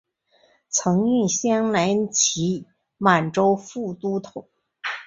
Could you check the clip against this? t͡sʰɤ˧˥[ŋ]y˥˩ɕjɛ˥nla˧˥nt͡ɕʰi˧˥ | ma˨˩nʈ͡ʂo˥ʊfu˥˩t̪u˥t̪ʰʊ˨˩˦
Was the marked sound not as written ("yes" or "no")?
no